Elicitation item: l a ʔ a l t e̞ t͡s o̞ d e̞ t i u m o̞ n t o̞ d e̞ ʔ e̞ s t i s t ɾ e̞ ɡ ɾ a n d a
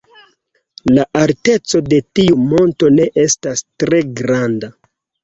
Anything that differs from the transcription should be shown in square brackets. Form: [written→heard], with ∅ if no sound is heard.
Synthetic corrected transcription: l a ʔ a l t e̞ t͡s o̞ d e̞ t i u m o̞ n t o̞ [d→n] e̞ ʔ e̞ s t [i→a] s t ɾ e̞ ɡ ɾ a n d a

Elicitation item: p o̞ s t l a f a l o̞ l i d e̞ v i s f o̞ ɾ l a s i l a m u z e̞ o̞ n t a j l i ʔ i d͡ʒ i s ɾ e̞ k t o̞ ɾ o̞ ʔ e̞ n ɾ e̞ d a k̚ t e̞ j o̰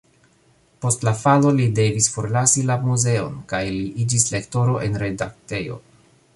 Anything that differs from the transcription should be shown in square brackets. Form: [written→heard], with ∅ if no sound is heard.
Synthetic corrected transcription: p o̞ s t l a f a l o̞ l i d e̞ v i s f o̞ ɾ l a s i l a m u z e̞ o̞ n [t→k] a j l i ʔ i d͡ʒ i s [ɾ→l] e̞ k t o̞ ɾ o̞ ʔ e̞ n ɾ e̞ d a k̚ t e̞ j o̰

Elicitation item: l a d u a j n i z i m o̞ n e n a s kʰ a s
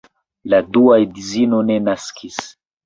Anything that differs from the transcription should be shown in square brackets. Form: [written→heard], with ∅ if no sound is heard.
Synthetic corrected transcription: l a d u a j [n→d] i z i [m→n] o̞ n e n a s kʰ [a→i] s

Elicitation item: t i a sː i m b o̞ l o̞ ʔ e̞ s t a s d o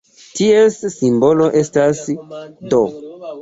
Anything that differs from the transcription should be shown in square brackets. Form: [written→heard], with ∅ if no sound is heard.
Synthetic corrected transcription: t i [a→e] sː i m b o̞ l o̞ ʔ e̞ s t a s d o

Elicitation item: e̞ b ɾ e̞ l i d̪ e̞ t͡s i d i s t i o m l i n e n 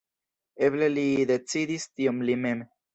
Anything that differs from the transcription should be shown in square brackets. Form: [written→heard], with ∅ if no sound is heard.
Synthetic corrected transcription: e̞ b [ɾ→l] e̞ l i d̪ e̞ t͡s i d i s t i o m l i [n→m] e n

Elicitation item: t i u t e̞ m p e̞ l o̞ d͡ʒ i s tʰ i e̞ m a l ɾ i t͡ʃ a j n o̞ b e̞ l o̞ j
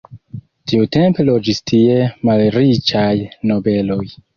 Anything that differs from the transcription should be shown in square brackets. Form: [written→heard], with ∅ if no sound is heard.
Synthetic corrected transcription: t i u t e̞ m p e̞ l o̞ d͡ʒ i s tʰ i e̞ m a l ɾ i t͡ʃ a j n o̞ b e̞ l o̞ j

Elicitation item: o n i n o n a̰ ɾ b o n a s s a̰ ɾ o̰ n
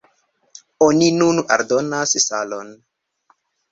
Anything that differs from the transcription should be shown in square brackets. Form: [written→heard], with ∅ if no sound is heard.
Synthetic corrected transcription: o n i n [o→u] n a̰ ɾ [b→d] o n a s s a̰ [ɾ→l] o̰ n

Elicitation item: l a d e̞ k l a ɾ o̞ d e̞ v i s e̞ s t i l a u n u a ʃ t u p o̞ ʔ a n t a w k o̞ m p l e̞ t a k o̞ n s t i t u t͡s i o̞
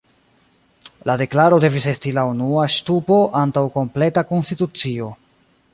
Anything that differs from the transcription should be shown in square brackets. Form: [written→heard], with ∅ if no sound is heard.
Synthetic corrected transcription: l a d e̞ k l a ɾ o̞ d e̞ v i s e̞ s t i l a u n u a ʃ t u p o̞ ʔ a n t a w k o̞ m p l e̞ t a k o̞ n s t i t u t͡s i o̞

